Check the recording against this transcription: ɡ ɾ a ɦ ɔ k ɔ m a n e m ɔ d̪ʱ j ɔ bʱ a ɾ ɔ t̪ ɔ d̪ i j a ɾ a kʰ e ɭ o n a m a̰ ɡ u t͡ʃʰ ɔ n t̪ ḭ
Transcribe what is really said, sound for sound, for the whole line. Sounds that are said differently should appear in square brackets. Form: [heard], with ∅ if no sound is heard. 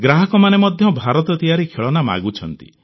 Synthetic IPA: ɡ ɾ a ɦ ɔ k ɔ m a n e m ɔ d̪ʱ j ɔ bʱ a ɾ ɔ t̪ ɔ [t̪] i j a ɾ [i] kʰ e ɭ [ɔ] n a m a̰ ɡ u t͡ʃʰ ɔ n t̪ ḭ